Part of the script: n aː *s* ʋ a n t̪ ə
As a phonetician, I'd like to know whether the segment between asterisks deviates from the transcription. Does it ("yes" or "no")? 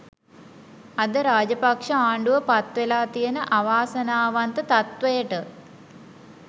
yes